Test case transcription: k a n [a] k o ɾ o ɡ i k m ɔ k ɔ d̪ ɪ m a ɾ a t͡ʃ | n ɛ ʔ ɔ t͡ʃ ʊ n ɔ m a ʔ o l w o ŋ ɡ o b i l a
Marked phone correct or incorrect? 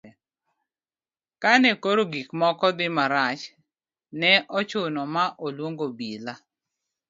incorrect